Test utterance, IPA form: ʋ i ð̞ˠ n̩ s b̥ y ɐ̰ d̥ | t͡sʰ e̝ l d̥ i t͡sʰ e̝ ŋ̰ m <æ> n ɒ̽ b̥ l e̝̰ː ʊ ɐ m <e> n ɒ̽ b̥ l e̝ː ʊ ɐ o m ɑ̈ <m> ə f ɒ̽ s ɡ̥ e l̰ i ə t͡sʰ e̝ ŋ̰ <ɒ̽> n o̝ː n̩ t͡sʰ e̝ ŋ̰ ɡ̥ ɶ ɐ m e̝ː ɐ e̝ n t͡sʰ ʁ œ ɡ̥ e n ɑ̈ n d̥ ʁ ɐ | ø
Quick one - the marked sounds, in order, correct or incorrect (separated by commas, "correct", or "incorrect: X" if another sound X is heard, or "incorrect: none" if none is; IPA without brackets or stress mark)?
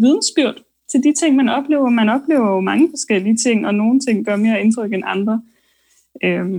correct, incorrect: æ, incorrect: ŋ, correct